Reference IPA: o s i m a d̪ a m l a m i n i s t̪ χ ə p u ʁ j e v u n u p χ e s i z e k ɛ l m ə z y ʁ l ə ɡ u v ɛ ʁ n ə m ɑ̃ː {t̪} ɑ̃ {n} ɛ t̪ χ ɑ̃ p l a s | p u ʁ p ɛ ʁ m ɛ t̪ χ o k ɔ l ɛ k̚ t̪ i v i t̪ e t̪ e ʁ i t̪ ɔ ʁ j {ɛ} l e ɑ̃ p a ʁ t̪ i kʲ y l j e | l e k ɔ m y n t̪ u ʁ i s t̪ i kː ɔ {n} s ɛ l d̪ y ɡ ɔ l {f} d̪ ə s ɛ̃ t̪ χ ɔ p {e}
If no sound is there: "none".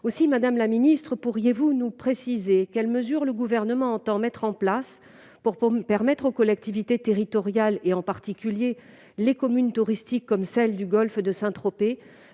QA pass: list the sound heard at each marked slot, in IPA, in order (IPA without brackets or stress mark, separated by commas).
t̪, m, a, m, f, e